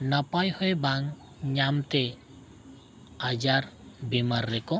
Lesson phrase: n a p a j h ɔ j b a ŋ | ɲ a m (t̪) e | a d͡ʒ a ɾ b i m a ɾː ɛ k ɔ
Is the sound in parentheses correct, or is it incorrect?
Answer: correct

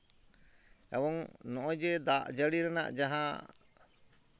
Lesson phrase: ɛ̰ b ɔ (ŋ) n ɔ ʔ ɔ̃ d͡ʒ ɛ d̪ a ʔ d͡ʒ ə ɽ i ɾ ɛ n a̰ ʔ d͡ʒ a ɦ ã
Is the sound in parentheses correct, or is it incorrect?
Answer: correct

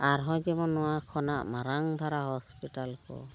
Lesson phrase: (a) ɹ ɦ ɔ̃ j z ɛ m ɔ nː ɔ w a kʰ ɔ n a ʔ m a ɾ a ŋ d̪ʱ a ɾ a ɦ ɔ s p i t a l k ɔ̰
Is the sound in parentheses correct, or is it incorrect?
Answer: correct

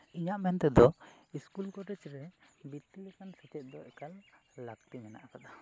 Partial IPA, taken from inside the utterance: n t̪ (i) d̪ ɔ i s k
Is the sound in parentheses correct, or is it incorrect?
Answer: incorrect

